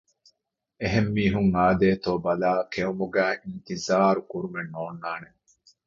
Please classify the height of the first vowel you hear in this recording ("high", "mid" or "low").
mid